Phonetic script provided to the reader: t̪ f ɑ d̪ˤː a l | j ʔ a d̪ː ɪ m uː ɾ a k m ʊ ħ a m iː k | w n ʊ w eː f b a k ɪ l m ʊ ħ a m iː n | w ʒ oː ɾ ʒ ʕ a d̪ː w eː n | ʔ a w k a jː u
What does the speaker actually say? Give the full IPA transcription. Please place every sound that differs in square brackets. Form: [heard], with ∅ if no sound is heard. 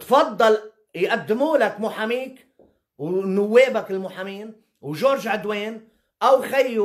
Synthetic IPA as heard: t̪ f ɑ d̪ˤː [ɑ] l | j ʔ a d̪ː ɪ m uː [l] a k m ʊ ħ a m iː k | w n ʊ [wː] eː [∅] b a k ɪ l m ʊ ħ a m iː n | w ʒ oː ɾ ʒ ʕ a [d̪] w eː n | ʔ a w [x] a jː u

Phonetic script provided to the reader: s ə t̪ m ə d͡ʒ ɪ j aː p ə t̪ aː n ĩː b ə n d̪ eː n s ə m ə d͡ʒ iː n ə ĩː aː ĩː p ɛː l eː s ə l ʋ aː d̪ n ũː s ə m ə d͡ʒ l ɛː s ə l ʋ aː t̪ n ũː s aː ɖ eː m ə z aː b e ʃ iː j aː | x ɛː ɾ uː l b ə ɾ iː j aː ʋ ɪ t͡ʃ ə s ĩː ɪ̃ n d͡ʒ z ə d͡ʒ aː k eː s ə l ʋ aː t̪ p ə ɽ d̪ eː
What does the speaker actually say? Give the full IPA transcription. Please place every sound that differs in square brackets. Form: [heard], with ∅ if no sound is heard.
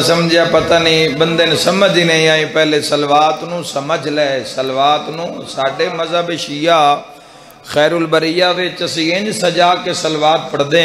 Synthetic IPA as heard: s ə [∅] m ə d͡ʒ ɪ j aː p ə t̪ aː n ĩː b ə n d̪ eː n s ə m ə d͡ʒ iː n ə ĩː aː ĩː p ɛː l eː s ə l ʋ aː [t̪] n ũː s ə m ə d͡ʒ l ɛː s ə l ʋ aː t̪ n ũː s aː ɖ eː m ə z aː b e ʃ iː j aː | x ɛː ɾ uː l b ə ɾ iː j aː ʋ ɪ t͡ʃ ə s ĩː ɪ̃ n d͡ʒ [s] ə d͡ʒ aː k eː s ə l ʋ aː t̪ p ə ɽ d̪ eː

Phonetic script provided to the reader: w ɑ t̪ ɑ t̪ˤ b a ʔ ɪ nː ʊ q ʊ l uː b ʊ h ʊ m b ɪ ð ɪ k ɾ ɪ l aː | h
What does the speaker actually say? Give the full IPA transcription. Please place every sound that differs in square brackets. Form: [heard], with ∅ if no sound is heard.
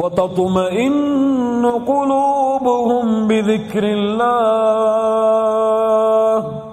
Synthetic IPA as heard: w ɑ t̪ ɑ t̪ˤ [m] a ʔ ɪ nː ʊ q ʊ l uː b ʊ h ʊ m b ɪ ð ɪ k ɾ ɪ [lː] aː | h

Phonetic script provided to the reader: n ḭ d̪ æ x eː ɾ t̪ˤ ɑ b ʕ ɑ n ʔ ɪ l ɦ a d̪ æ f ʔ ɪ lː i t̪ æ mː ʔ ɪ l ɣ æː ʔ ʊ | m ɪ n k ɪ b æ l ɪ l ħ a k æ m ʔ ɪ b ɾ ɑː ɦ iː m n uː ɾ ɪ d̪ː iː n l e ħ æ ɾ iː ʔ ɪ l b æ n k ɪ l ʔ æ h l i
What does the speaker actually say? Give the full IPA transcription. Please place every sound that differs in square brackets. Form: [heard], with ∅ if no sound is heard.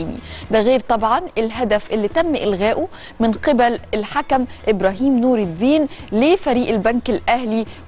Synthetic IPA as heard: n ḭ d̪ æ [ɣ] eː ɾ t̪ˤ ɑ b ʕ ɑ n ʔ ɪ l ɦ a d̪ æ f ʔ ɪ lː i t̪ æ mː ʔ ɪ l ɣ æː ʔ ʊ | m ɪ n [q] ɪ b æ l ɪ l ħ a k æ m ʔ ɪ b ɾ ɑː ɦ iː m n uː ɾ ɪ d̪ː iː n l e [f] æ ɾ iː ʔ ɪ l b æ n k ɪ l ʔ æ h l i

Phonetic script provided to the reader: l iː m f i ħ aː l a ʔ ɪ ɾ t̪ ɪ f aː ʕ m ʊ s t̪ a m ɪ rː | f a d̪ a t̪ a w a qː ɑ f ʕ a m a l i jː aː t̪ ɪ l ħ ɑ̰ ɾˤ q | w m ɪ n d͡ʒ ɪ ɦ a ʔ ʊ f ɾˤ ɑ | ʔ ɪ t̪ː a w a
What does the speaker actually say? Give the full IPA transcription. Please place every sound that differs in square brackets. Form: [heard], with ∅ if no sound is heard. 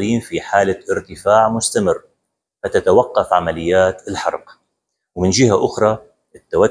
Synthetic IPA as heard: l iː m f i ħ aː l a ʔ ɪ ɾ t̪ ɪ f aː ʕ m ʊ s t̪ a m ɪ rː | f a [t̪] a t̪ a w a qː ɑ f ʕ a m a l [ɪ] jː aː t̪ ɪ l ħ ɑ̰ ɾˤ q | w m ɪ n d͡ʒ ɪ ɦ a ʔ ʊ [x] ɾˤ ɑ | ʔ ɪ t̪ː a w a

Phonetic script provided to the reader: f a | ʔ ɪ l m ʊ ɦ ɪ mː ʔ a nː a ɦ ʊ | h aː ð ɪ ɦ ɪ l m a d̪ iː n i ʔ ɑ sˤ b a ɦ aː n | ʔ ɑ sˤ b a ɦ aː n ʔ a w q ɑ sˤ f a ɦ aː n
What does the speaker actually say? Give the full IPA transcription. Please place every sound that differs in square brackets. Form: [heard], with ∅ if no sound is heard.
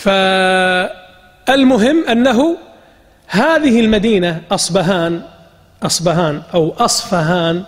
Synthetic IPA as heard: f a | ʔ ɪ l m ʊ ɦ ɪ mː ʔ a nː a ɦ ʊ | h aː ð ɪ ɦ ɪ l m a d̪ iː n [a] ʔ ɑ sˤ b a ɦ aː n | ʔ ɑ sˤ b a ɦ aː n ʔ a w [ʔ] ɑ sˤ f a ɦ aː n

